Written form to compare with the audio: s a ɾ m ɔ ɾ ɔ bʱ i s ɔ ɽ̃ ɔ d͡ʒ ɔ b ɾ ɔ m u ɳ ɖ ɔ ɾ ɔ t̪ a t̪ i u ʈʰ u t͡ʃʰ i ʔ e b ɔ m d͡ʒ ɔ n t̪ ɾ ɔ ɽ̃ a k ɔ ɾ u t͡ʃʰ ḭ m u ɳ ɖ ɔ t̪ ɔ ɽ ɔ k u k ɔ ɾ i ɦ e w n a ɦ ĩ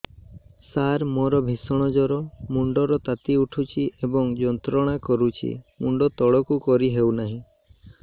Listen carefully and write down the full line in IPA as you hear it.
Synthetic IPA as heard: s a ɾ m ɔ ɾ ɔ bʱ i s ɔ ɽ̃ ɔ d͡ʒ ɔ ɾ ɔ m u ɳ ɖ ɔ ɾ ɔ t̪ a t̪ i u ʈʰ u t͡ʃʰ i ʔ e b ɔ ŋ d͡ʒ ɔ n t̪ ɾ ɔ ɽ̃ a k ɔ ɾ u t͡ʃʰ ḭ m u ɳ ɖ ɔ t̪ ɔ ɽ ɔ k u k ɔ ɾ i ɦ e w n a ɦ ĩ

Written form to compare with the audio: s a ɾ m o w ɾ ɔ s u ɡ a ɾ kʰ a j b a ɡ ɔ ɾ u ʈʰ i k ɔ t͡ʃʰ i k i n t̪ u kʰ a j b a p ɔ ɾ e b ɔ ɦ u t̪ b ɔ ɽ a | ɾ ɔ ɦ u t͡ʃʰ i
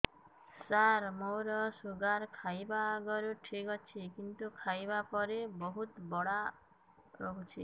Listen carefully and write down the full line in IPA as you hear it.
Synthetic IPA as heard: s a ɾ m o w ɾ ɔ s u ɡ a ɾ kʰ a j b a ɡ ɔ ɾ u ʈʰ i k ɔ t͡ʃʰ i k i n t̪ u kʰ a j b a p ɔ ɾ e b ɔ ɦ u t̪ b ɔ ɽ a | ɾ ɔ ɦ u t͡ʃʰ i

